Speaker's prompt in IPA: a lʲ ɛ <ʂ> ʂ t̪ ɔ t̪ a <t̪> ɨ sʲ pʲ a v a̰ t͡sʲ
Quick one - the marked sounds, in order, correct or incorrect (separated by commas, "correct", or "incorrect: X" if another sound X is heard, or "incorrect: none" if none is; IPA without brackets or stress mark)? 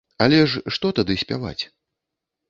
correct, incorrect: d̪